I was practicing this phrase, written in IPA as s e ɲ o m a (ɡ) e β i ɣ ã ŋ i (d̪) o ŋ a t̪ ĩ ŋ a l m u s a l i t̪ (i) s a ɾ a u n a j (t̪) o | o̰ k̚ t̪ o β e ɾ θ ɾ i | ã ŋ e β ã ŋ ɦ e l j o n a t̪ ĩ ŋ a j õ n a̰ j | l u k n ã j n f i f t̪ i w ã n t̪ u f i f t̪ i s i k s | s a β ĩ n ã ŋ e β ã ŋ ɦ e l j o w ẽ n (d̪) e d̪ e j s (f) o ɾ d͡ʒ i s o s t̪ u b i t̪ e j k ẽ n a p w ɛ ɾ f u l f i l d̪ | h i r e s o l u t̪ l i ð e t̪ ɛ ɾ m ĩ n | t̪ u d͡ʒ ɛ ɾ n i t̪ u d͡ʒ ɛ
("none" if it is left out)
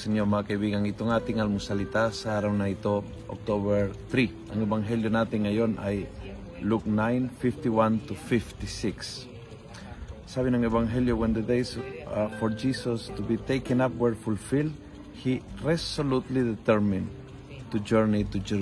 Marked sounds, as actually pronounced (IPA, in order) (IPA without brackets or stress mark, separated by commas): k, t̪, a, t̪, d̪, f